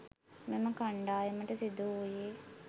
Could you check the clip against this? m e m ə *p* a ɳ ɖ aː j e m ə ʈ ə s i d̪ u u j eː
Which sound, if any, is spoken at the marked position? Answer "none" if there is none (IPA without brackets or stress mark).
k